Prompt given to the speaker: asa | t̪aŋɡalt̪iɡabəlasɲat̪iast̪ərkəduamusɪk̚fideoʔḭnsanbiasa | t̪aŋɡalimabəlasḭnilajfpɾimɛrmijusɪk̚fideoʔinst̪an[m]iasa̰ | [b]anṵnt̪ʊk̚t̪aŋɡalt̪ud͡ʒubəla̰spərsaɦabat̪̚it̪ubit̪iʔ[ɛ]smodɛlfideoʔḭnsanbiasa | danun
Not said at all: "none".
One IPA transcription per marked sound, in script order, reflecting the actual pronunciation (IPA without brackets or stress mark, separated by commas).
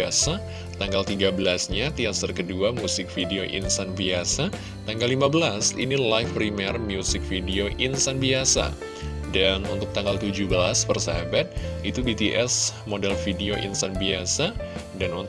b, d, ɛ